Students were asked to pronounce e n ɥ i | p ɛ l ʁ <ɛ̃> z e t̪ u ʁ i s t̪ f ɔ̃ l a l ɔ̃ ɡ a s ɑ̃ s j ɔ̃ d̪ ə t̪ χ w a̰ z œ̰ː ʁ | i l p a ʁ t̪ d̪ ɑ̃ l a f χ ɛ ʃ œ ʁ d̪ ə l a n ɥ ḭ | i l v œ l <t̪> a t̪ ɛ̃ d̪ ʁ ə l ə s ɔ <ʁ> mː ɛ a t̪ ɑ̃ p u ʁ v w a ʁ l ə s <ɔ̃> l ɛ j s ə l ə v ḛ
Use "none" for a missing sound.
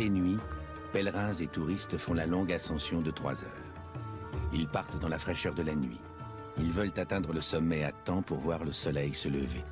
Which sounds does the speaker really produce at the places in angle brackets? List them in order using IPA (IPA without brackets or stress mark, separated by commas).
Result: ɛ̃, t̪, none, ɔ